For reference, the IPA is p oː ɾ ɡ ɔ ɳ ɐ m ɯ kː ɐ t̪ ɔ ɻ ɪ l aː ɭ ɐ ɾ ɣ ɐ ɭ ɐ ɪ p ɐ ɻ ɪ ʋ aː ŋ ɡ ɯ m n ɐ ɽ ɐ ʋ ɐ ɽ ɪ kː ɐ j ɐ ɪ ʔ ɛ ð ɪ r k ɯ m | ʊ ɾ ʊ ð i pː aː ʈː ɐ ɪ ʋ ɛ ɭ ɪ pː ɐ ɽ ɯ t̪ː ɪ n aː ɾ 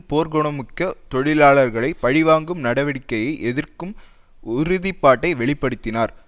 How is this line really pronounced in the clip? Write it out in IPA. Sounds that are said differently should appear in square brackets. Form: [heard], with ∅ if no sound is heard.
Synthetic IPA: p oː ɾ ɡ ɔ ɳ ɐ m ɯ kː ɐ t̪ ɔ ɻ ɪ l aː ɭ ɐ ɾ ɣ ɐ ɭ ɐ ɪ p ɐ ɻ ɪ ʋ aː ŋ ɡ ɯ m n ɐ ɽ ɐ ʋ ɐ ɽ ɪ kː ɐ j ɐ ɪ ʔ ɛ ð ɪ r k ɯ m | ʊ ɾ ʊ ð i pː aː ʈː ɐ ɪ ʋ ɛ ɭ ɪ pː ɐ ɽ ɯ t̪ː ɪ n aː ɾ